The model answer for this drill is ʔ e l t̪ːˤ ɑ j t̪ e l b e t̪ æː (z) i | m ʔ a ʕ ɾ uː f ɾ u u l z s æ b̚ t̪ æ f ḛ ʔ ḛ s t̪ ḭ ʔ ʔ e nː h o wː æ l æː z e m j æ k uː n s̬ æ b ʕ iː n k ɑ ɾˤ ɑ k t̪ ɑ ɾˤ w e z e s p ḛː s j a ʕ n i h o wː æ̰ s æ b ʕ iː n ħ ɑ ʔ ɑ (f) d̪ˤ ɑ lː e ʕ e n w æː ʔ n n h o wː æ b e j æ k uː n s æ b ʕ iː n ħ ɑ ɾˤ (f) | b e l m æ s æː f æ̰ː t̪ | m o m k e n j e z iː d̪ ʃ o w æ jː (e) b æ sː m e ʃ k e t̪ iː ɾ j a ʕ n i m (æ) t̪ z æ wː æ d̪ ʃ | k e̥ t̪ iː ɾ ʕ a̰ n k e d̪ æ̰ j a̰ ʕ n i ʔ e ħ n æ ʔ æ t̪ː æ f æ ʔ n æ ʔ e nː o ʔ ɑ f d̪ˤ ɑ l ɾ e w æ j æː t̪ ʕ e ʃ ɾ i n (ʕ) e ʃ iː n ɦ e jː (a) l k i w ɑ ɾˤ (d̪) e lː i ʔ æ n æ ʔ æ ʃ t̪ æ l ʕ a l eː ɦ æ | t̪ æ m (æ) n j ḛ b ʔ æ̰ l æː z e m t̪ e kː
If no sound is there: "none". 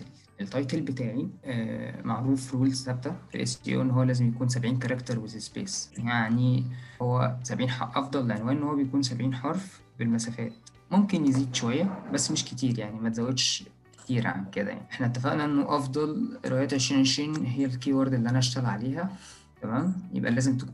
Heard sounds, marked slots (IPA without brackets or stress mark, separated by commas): ʕ, f, f, æ, æ, ʕ, æ, d̪, æː